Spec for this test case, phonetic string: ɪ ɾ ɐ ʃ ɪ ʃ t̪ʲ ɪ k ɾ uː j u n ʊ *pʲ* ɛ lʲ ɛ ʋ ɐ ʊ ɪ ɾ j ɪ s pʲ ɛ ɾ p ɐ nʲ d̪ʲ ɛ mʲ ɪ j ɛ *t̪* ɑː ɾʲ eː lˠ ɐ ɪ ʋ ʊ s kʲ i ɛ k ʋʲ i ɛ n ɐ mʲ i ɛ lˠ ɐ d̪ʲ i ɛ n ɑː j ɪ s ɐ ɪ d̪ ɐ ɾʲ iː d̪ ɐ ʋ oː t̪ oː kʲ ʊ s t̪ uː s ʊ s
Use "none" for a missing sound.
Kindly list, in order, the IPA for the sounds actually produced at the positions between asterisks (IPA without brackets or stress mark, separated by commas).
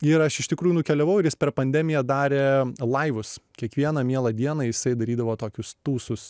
kʲ, d̪